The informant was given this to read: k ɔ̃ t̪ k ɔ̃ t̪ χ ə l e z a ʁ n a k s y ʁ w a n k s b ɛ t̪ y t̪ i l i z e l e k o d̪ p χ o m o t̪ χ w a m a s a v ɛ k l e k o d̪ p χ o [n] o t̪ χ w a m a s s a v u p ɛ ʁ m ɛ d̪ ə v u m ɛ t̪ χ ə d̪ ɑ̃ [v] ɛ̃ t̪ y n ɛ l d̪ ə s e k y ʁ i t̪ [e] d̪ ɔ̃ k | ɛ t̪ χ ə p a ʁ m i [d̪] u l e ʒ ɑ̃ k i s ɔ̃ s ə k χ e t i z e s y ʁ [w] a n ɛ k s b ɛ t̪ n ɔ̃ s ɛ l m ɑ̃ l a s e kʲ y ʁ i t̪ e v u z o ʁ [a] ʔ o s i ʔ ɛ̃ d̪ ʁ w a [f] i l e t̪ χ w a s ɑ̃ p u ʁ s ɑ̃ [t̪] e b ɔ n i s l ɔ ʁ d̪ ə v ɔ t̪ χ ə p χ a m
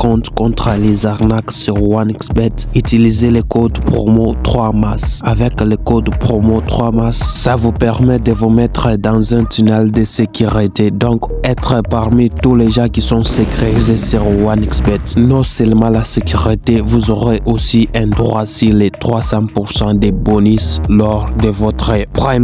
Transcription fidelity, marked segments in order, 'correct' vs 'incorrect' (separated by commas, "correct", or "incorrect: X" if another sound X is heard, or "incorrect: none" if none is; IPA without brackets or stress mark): incorrect: m, incorrect: z, correct, incorrect: t̪, correct, incorrect: e, incorrect: s, incorrect: d̪